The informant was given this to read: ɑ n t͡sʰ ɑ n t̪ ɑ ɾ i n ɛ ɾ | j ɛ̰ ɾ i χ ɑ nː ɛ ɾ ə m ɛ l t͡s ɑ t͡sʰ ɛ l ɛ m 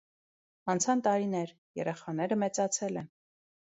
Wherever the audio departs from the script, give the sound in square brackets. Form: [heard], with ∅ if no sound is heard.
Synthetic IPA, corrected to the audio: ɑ n t͡sʰ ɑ n t̪ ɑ ɾ i n ɛ ɾ | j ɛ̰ ɾ [ɛ] χ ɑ [n] ɛ ɾ ə m ɛ [∅] t͡s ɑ t͡sʰ ɛ l ɛ [n]